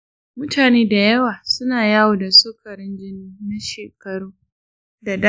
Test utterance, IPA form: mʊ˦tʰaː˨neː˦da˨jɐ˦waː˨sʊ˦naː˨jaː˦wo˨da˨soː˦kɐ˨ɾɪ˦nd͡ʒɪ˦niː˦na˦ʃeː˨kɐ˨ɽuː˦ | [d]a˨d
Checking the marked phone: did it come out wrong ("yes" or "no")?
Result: no